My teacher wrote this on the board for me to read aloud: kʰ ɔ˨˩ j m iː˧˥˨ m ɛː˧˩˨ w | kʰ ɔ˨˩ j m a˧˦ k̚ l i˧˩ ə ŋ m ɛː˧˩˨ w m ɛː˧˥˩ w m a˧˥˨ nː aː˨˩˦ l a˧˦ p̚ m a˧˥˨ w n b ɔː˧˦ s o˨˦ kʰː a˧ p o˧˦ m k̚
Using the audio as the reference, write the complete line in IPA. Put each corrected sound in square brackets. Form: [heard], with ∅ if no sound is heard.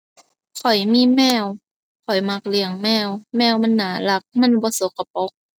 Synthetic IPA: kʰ ɔ˨˩ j m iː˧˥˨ m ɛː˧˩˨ w | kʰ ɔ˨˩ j m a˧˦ k̚ l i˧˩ ə ŋ m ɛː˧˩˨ w m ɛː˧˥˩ w m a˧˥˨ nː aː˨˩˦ l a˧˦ [k̚] m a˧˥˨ [∅] n b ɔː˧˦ s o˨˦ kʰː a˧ p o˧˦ [∅] k̚